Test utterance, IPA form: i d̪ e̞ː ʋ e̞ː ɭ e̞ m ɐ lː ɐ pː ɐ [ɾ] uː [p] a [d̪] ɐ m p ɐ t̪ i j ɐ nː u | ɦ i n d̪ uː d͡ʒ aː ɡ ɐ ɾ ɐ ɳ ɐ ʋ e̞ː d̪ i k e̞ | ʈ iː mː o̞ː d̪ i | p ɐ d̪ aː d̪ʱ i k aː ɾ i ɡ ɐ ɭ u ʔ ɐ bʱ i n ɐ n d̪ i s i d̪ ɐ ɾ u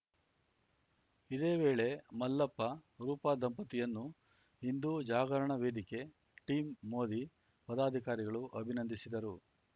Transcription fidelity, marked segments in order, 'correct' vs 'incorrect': correct, correct, correct

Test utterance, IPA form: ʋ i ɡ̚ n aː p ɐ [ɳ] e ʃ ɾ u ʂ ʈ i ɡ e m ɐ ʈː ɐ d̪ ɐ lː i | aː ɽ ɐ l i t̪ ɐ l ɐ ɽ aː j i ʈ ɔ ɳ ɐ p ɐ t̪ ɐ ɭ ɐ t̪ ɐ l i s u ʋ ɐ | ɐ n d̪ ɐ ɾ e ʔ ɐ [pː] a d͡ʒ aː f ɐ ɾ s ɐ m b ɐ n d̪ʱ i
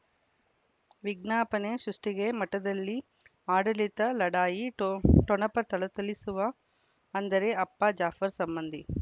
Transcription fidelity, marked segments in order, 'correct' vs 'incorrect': incorrect, correct

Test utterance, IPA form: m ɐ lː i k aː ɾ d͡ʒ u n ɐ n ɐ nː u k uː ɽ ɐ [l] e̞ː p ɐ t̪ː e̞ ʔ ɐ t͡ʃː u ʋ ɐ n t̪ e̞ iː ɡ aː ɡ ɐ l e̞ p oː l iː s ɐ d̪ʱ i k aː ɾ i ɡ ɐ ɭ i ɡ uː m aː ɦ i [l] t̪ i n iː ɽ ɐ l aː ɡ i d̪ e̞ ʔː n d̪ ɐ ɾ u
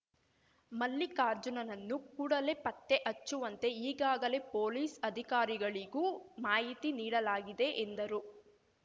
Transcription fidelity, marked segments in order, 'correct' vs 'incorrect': correct, incorrect

